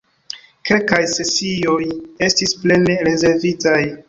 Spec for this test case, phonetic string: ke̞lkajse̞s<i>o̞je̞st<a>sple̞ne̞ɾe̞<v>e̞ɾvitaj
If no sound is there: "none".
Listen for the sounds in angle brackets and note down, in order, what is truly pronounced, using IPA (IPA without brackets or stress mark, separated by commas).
i, i, z